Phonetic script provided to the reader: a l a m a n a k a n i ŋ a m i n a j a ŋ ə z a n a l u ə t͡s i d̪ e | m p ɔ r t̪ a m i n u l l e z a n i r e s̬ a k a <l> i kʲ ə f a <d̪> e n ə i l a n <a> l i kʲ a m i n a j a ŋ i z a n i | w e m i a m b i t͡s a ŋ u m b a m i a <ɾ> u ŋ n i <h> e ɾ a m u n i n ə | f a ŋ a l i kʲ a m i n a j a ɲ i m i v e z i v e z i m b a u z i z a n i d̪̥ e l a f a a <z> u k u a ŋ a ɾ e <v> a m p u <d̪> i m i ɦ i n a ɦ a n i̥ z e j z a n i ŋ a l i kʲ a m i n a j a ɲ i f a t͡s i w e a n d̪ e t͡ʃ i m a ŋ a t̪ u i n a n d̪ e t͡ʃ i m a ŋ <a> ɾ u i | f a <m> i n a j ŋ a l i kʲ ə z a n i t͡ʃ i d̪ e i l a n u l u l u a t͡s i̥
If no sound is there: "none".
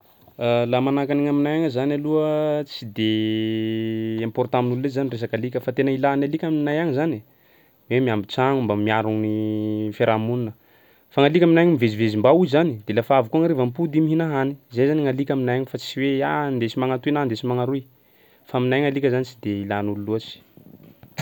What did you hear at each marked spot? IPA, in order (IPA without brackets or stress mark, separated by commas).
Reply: l, t̪, a, ɾ, f, v, v, d̪, a, m